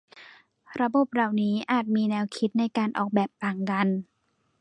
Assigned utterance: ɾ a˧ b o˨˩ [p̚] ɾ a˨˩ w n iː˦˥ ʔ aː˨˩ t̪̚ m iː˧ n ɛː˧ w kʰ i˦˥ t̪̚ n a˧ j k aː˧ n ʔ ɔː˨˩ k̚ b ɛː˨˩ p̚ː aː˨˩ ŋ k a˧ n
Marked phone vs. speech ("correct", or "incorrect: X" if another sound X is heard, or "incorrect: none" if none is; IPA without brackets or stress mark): correct